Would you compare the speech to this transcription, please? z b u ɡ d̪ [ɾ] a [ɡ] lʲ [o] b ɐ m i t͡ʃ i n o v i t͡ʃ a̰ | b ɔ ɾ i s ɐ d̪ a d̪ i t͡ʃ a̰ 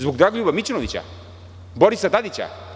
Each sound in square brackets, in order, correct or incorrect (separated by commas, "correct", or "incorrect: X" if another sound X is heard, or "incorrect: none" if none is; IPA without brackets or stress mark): correct, correct, incorrect: u